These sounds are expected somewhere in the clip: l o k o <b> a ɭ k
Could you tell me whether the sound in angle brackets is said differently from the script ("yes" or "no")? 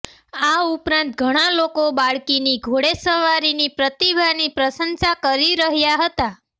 no